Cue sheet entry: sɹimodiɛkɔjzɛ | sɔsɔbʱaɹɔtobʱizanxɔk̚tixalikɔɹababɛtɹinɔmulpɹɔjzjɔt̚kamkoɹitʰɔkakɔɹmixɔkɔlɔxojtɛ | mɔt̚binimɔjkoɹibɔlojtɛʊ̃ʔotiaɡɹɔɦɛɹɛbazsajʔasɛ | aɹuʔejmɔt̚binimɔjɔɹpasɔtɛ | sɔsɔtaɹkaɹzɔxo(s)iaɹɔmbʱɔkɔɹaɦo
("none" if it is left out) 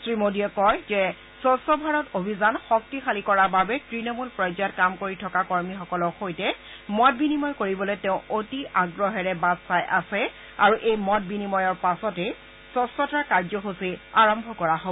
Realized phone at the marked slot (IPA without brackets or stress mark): s